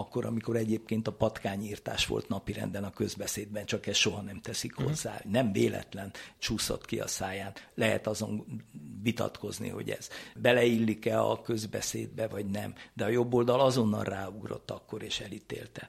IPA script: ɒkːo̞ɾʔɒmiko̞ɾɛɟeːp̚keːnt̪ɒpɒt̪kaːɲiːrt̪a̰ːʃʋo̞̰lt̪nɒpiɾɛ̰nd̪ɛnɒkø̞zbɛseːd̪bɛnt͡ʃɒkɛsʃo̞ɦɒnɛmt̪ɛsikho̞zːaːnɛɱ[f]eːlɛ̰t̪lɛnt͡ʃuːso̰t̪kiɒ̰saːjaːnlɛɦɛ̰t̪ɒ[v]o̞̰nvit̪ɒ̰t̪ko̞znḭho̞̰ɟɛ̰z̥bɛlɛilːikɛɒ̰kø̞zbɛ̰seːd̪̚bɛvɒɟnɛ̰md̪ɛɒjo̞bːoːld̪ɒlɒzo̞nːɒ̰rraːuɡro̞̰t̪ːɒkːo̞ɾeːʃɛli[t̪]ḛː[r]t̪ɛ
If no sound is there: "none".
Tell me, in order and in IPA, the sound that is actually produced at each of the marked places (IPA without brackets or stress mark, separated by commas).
v, z, t̪, l